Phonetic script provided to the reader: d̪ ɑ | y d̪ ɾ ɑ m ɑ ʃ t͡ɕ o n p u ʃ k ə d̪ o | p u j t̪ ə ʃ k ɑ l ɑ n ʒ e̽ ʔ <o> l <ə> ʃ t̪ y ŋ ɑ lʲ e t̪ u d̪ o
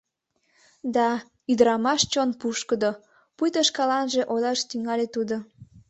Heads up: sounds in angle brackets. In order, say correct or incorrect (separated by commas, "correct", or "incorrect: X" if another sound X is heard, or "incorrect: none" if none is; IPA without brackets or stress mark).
correct, incorrect: ɑ